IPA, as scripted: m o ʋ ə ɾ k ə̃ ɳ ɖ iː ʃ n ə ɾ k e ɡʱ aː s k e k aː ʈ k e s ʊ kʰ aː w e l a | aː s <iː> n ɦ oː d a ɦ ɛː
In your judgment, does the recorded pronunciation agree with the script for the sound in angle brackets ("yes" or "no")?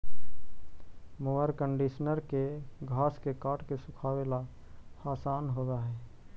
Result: no